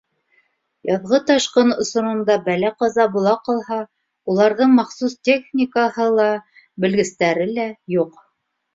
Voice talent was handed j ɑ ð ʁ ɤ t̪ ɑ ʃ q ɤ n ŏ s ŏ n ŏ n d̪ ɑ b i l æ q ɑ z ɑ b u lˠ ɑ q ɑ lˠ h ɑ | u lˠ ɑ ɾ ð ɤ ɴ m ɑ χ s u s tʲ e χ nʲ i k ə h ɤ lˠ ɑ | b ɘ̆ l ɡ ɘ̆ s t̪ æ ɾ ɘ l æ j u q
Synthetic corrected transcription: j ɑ ð ʁ ɤ t̪ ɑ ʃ q ɤ n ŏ s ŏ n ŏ n d̪ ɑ b æ l æ q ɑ z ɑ b u lˠ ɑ q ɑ lˠ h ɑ | u lˠ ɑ ɾ ð ɤ ɴ m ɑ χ s u s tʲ e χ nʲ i k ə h ɤ lˠ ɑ | b ɘ̆ l ɡ ɘ̆ s t̪ æ ɾ ɘ l æ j u q